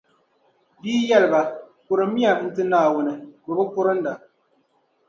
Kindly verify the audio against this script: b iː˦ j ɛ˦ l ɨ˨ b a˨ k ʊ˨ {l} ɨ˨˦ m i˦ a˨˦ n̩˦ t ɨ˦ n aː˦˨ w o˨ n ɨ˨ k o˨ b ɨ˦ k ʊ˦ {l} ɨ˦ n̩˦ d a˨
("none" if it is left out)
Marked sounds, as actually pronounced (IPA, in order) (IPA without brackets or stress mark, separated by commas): ɾ, ɾ